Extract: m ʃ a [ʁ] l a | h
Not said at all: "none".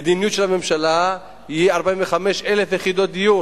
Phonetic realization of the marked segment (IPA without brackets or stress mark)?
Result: none